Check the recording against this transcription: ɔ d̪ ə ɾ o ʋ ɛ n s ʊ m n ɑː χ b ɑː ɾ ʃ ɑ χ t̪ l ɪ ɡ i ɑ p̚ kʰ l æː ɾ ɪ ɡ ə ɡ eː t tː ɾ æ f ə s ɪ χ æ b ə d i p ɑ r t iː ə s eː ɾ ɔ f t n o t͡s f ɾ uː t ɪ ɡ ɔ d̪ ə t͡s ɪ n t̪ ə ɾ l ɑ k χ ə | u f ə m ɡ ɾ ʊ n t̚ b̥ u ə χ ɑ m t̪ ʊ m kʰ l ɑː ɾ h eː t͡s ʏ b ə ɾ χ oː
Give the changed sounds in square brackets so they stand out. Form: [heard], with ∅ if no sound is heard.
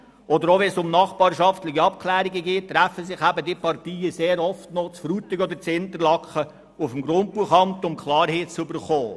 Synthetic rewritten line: ɔ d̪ ə ɾ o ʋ ɛ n s ʊ m n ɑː χ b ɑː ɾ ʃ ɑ [f] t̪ l ɪ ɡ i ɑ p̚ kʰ l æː ɾ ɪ ɡ ə ɡ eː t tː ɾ æ f ə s ɪ χ æ b ə d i p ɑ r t iː ə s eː ɾ ɔ f t n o t͡s f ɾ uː t ɪ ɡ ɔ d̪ ə t͡s ɪ n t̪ ə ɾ l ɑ k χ ə | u f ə m ɡ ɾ ʊ n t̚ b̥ u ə χ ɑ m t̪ ʊ m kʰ l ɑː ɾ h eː t͡s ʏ b ə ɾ χ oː